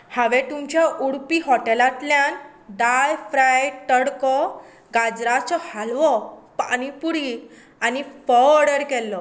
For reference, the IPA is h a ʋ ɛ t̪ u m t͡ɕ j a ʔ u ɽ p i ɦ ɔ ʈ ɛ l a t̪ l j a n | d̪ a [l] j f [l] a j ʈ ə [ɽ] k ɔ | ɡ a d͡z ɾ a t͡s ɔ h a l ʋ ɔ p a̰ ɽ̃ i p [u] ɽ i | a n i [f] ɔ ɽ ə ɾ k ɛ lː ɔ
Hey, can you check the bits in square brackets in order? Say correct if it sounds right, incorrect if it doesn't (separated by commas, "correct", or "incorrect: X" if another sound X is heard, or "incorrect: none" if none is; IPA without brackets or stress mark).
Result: incorrect: none, incorrect: ɾ, correct, correct, correct